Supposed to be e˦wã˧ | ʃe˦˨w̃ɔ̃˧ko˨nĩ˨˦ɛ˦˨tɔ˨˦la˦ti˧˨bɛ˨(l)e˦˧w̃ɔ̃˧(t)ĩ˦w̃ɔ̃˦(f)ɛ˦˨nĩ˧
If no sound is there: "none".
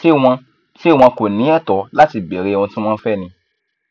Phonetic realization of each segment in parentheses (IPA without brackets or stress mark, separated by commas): ɾ, t, f